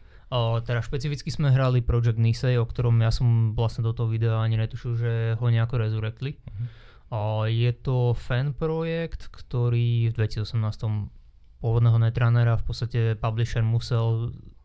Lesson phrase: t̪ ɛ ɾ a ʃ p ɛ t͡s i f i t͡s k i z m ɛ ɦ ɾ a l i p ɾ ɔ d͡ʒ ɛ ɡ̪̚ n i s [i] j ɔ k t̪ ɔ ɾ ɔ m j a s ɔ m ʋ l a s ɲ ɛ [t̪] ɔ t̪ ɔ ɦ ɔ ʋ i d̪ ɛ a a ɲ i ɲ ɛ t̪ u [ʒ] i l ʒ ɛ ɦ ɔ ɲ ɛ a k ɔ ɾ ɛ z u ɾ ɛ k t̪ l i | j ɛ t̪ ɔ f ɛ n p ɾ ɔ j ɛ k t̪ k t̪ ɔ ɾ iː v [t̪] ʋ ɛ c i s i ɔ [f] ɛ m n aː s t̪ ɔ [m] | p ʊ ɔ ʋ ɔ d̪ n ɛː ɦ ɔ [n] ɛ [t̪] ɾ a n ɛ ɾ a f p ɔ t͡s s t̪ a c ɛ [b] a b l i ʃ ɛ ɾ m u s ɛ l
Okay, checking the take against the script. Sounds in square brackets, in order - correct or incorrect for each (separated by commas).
incorrect, incorrect, incorrect, incorrect, incorrect, correct, correct, correct, incorrect